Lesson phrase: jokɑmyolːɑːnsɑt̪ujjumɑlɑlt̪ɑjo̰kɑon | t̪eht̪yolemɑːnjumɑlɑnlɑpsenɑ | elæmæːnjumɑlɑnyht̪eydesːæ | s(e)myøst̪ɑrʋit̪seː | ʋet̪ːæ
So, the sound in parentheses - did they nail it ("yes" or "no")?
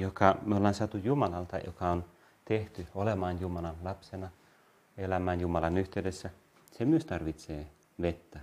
yes